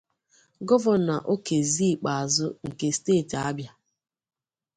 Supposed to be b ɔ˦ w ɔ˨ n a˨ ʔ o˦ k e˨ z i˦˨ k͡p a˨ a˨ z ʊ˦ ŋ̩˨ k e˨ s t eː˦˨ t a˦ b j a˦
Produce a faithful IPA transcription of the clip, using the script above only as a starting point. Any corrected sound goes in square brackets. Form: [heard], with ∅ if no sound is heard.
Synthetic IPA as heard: [ɡ] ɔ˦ [v] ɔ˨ n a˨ ʔ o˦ k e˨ z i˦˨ k͡p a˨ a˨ z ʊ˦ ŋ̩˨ k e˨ s t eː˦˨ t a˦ b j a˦